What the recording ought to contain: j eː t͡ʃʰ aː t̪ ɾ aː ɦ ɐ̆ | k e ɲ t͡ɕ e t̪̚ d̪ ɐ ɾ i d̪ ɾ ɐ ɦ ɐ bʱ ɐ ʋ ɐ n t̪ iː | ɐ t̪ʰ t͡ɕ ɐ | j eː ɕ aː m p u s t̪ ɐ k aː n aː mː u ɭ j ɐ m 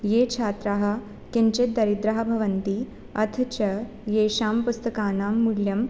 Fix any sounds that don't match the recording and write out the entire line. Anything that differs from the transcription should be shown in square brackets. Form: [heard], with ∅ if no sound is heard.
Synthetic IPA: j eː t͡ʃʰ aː t̪ ɾ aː ɦ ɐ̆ | k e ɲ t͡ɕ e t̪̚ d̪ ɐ ɾ i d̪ ɾ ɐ ɦ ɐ bʱ ɐ ʋ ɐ n t̪ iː | ɐ t̪ʰ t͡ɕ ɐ | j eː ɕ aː m p u s t̪ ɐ k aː n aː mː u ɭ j ɐ m